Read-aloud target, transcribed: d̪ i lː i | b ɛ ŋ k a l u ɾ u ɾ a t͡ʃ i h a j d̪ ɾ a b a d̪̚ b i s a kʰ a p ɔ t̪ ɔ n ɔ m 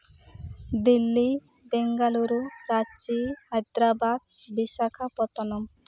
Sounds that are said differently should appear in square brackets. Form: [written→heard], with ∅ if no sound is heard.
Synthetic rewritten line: d̪ i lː i | b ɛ ŋ [k→ɡ] a l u ɾ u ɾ a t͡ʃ i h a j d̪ ɾ a b a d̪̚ b i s a kʰ a p ɔ t̪ ɔ n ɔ m